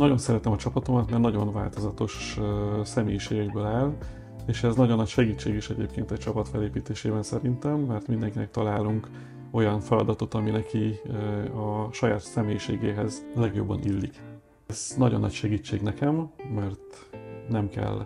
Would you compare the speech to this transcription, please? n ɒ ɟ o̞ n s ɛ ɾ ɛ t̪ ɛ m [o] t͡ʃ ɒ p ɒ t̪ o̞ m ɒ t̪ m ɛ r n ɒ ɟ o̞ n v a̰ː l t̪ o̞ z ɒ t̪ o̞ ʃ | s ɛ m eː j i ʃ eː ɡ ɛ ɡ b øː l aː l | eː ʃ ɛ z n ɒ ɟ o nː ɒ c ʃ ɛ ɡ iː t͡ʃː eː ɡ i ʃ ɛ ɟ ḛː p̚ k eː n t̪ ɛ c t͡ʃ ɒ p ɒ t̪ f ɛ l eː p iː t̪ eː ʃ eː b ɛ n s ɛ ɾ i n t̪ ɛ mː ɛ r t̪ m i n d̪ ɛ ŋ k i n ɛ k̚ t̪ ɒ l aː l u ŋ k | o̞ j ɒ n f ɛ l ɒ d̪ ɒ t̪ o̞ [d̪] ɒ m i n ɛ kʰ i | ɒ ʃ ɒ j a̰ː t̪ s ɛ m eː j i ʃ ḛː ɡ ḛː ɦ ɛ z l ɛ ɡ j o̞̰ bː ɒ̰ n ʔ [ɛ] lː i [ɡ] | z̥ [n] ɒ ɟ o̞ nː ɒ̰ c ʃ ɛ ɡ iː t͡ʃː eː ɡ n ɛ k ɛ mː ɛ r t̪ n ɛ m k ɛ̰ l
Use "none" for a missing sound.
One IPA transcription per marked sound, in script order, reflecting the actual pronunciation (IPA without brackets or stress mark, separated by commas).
ɒ, t̪, i, k, n